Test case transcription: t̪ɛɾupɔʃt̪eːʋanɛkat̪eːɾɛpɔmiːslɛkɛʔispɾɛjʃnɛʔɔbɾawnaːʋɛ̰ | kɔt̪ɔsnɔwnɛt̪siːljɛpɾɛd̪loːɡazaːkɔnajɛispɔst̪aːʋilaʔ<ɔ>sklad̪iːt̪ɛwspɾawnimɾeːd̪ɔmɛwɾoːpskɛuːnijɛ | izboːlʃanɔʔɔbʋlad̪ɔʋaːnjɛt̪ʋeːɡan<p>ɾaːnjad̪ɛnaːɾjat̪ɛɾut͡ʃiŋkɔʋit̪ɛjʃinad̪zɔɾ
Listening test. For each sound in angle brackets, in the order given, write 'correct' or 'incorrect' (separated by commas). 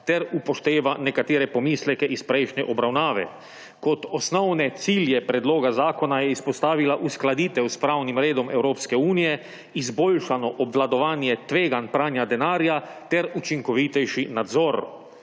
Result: incorrect, correct